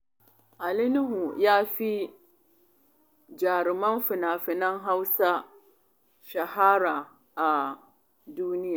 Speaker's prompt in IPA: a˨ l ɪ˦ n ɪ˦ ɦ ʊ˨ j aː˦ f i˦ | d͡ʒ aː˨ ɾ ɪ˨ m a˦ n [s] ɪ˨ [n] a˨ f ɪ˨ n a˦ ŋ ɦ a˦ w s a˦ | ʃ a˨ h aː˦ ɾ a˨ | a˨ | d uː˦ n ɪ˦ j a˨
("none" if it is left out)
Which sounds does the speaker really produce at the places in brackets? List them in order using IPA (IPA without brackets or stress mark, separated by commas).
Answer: f, n